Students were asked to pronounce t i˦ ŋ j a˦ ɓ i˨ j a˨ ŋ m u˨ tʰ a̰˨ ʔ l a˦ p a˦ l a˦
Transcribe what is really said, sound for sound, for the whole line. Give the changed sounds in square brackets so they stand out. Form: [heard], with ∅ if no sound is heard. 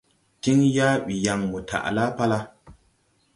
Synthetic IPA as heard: t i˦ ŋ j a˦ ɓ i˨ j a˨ ŋ m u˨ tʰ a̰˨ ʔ l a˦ p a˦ l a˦